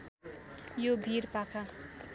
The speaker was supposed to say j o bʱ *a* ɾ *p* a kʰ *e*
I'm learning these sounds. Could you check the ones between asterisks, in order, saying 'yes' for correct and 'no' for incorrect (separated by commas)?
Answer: no, yes, no